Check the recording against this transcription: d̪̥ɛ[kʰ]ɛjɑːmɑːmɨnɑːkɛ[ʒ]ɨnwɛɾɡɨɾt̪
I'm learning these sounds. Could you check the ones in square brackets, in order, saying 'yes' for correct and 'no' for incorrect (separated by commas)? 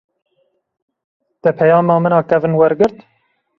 no, no